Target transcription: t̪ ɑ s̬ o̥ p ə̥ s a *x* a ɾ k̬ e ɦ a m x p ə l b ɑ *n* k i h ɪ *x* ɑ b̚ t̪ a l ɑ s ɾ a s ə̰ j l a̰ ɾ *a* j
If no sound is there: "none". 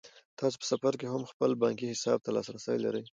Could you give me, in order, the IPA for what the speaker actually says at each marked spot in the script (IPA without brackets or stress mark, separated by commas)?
f, ŋ, s, ə